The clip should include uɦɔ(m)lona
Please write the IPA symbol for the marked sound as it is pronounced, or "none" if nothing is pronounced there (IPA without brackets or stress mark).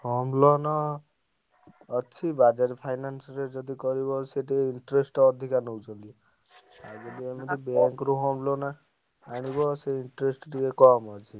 m